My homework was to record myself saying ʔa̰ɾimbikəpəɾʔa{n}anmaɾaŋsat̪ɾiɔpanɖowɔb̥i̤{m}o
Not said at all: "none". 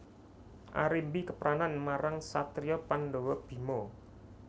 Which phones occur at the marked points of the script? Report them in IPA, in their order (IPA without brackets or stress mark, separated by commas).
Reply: n, m